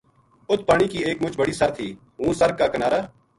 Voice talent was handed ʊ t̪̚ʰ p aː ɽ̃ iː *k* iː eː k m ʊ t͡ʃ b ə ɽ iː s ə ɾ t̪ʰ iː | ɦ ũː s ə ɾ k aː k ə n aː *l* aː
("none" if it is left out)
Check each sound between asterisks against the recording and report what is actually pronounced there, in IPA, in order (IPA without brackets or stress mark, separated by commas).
k, ɾ